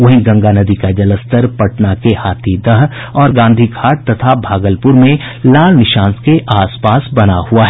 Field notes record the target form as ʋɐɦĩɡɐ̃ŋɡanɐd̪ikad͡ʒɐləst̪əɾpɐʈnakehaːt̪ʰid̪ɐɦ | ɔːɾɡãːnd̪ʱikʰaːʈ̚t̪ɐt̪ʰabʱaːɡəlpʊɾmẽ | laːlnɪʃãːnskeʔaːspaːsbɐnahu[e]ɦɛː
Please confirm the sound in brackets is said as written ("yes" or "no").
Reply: no